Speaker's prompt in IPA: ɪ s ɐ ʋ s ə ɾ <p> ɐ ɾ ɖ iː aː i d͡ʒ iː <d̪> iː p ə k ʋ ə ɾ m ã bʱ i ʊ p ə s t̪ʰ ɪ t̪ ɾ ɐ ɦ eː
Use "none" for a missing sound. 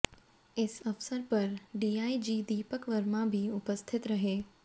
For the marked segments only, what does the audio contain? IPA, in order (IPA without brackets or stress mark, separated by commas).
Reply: p, d̪